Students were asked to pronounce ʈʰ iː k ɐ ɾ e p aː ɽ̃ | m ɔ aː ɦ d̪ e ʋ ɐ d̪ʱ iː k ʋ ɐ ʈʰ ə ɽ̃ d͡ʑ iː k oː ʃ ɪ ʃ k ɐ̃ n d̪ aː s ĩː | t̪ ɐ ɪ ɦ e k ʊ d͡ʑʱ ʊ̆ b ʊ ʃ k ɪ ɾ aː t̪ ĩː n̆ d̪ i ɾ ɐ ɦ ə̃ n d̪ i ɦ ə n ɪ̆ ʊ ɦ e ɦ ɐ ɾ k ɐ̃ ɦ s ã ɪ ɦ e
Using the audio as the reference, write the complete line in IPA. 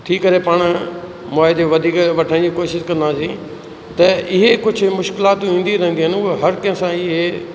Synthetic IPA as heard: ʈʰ iː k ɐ ɾ e p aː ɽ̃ | m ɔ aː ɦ d̪ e ʋ ɐ d̪ʱ iː k ʋ ɐ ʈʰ ə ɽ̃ d͡ʑ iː k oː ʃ ɪ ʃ k ɐ̃ n d̪ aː s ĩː | t̪ ɐ ɪ ɦ e k ʊ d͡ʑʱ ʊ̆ m ʊ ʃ k ɪ l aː t̪ ĩː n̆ d̪ i ɾ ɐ ɦ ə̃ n d̪ i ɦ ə n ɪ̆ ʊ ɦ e ɦ ɐ ɾ k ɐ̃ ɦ s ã ɪ ɦ e